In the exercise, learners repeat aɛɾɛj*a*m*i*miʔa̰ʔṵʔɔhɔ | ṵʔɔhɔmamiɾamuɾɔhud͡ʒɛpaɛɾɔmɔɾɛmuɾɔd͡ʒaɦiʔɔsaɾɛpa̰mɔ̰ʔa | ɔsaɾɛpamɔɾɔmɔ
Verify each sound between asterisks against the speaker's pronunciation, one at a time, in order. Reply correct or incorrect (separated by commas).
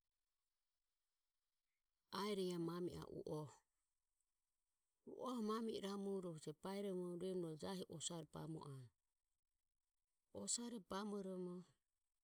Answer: correct, incorrect